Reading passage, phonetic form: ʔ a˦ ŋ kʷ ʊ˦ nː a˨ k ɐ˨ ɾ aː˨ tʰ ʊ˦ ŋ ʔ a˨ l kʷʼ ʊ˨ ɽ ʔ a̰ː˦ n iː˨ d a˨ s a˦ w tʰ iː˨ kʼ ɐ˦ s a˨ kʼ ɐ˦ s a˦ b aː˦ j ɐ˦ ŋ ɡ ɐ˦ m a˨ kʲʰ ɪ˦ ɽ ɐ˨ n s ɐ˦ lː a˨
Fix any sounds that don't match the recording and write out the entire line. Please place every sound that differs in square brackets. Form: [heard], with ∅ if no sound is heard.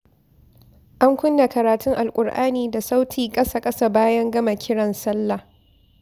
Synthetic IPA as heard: ʔ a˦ ŋ kʷ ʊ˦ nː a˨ k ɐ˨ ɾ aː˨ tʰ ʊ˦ ŋ ʔ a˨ l kʷʼ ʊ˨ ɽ ʔ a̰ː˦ n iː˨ d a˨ s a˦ w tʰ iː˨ kʼ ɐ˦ s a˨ kʼ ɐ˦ s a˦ b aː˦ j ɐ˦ ŋ ɡ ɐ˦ m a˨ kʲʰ ɪ˦ ɽ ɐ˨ n s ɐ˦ lː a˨